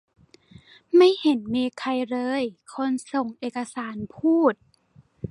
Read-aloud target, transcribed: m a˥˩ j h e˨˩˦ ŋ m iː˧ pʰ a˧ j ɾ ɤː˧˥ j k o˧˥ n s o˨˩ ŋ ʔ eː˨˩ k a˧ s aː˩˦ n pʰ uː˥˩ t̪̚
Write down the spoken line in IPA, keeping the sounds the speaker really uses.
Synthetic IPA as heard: m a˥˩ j h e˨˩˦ n m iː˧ kʰ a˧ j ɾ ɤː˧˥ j kʰ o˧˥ n s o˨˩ ŋ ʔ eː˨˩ k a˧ s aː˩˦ n pʰ uː˥˩ t̪̚

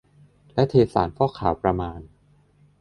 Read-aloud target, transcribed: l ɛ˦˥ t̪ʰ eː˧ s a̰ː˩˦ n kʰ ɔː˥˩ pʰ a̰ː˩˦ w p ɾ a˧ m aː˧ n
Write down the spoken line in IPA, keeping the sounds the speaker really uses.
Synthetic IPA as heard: l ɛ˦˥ t̪ʰ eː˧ s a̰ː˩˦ n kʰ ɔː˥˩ kʰ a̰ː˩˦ w p ɾ a˧ m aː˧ n

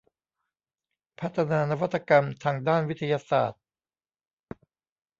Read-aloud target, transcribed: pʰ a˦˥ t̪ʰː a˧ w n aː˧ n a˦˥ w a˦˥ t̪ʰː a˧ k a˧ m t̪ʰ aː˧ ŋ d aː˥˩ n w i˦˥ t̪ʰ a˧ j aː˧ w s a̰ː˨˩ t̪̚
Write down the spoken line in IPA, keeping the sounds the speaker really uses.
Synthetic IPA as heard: pʰ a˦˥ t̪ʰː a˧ n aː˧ n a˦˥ w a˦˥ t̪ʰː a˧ k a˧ m t̪ʰ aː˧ ŋ d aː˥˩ n w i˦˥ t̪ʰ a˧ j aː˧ s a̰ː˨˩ t̪̚

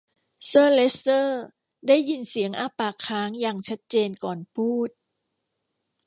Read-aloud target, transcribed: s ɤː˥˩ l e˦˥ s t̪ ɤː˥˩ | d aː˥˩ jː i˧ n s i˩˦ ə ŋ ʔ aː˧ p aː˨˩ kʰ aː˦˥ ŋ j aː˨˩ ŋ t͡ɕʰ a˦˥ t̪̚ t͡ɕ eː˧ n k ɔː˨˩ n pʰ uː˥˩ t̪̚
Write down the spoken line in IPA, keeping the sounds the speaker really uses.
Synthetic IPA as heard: s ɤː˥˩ l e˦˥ s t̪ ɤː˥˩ | d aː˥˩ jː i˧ n s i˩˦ ə ŋ ʔ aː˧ p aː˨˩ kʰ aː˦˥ ŋ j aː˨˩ ŋ t͡ɕʰ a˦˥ t̪̚ t͡ɕ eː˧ n k ɔː˨˩ n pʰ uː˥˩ t̪̚

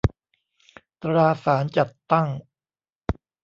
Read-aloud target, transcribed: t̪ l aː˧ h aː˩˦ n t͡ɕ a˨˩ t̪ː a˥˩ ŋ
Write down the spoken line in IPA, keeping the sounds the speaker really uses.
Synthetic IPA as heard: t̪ ɾ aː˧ s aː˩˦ n t͡ɕ a˨˩ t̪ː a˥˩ ŋ

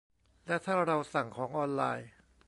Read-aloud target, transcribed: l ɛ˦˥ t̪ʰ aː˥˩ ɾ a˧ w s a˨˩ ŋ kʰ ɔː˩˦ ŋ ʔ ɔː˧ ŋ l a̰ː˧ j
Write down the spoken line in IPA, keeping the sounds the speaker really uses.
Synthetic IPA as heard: l ɛ˦˥ t̪ʰ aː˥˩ ɾ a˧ w s a˨˩ ŋ kʰ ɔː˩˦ ŋ ʔ ɔː˧ n l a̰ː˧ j

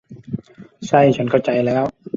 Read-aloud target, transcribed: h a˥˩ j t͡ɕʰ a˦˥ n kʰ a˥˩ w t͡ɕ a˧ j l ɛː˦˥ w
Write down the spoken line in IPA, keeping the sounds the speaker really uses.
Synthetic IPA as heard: s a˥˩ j t͡ɕʰ a˦˥ n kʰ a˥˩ w t͡ɕ a˧ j l ɛː˦˥ w

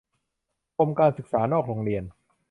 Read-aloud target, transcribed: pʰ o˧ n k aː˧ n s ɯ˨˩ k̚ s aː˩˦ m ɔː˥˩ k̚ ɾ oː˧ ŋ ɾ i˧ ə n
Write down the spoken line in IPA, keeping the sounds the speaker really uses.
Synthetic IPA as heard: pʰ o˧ m k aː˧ n s ɯ˨˩ k̚ s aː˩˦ n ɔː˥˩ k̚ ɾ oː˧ ŋ ɾ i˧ ə n

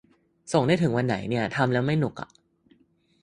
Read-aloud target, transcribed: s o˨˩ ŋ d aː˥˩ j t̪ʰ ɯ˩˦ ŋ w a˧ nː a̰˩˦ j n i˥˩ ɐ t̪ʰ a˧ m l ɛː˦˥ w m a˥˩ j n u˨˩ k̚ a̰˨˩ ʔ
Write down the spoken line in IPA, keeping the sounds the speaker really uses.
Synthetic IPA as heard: s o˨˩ ŋ d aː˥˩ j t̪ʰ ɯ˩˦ ŋ w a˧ nː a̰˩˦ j n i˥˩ ɐ t̪ʰ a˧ m l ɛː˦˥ w m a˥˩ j n u˨˩ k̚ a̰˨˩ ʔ

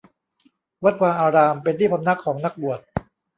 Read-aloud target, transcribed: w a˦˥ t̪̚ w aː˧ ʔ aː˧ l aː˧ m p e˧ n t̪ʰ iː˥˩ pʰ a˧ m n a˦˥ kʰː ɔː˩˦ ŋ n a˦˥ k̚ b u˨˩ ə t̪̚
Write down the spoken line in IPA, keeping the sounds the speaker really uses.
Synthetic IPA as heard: w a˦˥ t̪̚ w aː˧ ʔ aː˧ ɾ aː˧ m p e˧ n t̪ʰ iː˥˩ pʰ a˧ m n a˦˥ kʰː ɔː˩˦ ŋ n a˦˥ k̚ b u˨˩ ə t̪̚

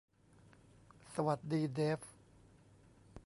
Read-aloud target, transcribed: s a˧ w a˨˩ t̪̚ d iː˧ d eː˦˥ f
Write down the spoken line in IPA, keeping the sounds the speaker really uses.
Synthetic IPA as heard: s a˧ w a˨˩ t̪̚ d iː˧ d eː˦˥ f

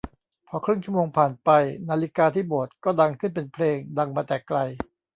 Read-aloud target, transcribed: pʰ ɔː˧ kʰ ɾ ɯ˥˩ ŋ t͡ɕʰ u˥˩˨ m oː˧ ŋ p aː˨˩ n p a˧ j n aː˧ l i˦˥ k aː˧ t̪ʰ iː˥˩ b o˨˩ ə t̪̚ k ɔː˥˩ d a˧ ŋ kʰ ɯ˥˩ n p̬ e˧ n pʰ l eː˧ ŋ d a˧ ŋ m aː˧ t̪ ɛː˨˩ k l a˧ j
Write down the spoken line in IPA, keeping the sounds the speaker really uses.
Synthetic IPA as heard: pʰ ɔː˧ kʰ ɾ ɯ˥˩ ŋ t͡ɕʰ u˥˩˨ m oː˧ ŋ pʰ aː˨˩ n p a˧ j n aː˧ l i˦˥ k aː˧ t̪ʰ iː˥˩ b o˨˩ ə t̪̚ k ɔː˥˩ d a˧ ŋ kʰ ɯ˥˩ n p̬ e˧ n pʰ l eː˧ ŋ d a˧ ŋ m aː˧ t̪ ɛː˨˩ k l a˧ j

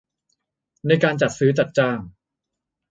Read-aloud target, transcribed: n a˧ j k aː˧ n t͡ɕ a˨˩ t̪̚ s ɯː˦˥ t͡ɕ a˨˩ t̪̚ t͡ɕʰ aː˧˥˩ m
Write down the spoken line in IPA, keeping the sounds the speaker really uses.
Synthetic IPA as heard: n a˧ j k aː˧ n t͡ɕ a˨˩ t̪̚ s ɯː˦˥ t͡ɕ a˨˩ t̪̚ t͡ɕ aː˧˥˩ ŋ

